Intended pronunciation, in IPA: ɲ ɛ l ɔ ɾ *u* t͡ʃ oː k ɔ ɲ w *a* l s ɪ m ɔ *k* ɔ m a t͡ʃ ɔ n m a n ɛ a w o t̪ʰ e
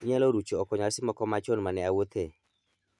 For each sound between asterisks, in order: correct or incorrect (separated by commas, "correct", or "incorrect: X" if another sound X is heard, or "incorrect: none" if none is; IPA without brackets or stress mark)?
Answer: correct, correct, correct